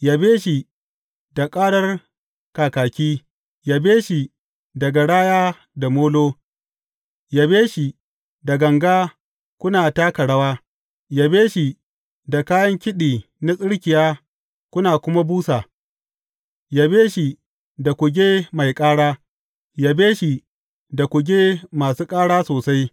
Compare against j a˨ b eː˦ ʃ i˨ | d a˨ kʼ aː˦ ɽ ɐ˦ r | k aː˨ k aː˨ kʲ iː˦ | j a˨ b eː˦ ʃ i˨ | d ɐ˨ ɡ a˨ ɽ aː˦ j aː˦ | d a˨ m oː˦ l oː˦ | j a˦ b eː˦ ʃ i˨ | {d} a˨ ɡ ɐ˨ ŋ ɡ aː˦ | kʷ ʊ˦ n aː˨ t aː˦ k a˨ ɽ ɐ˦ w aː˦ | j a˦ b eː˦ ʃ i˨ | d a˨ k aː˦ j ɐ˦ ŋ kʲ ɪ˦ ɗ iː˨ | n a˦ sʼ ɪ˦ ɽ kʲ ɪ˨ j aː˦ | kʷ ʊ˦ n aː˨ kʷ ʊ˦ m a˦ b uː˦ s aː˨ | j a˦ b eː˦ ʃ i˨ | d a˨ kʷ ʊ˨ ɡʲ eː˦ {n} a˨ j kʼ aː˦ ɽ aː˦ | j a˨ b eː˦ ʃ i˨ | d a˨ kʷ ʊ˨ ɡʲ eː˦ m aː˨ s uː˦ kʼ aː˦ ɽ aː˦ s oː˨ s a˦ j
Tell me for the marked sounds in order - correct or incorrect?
correct, incorrect: m

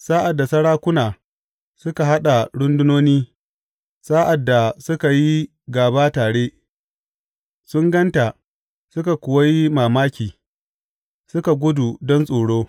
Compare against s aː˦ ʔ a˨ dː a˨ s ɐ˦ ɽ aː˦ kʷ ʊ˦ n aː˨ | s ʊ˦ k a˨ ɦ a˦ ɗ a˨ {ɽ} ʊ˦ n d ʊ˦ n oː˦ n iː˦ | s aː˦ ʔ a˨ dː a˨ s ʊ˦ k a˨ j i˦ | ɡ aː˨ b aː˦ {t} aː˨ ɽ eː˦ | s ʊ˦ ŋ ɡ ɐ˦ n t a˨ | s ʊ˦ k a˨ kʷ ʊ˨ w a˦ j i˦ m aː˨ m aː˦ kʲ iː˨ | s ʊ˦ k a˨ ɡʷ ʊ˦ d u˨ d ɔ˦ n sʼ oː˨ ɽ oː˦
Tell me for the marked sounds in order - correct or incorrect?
correct, correct

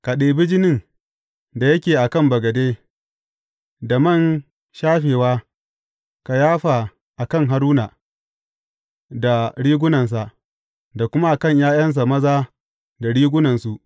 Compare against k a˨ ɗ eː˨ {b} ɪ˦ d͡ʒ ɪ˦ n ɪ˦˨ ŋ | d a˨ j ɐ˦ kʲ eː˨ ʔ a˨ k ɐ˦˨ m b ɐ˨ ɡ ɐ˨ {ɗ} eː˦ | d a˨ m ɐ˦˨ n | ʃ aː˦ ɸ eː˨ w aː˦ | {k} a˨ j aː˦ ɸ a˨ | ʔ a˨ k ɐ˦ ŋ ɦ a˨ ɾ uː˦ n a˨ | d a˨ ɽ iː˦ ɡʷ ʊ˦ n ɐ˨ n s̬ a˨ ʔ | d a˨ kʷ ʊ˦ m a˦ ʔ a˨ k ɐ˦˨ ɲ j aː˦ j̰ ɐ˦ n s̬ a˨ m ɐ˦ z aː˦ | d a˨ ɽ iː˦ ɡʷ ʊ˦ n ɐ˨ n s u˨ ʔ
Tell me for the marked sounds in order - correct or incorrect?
correct, incorrect: d, correct

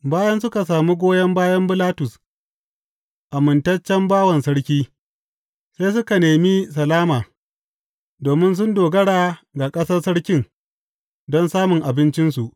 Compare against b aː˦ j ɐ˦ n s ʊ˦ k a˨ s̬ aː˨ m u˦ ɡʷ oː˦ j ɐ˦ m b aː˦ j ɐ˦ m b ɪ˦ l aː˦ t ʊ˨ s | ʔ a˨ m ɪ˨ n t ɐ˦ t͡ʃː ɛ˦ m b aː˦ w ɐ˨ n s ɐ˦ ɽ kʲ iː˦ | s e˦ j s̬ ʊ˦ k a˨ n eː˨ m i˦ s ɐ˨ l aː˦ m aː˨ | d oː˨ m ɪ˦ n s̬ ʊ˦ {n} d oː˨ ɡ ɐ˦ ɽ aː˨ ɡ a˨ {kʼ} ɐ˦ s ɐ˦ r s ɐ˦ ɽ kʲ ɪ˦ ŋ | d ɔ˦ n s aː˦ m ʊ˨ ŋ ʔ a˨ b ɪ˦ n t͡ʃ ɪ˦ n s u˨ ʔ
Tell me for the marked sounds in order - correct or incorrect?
correct, correct

